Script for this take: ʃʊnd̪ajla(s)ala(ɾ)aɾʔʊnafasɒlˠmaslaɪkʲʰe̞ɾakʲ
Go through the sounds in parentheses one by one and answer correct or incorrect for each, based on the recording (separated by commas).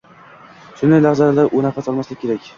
incorrect, incorrect